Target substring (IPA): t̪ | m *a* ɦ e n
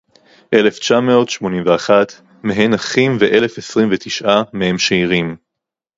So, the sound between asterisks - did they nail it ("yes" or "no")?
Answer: no